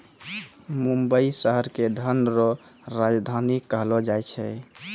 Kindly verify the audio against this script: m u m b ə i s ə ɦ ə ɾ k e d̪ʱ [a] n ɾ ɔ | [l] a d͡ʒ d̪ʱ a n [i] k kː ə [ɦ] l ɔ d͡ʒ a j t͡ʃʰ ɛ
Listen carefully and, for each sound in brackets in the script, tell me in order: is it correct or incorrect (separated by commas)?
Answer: incorrect, incorrect, correct, correct